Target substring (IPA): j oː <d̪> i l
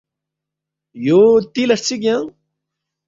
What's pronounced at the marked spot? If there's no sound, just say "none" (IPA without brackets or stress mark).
t̪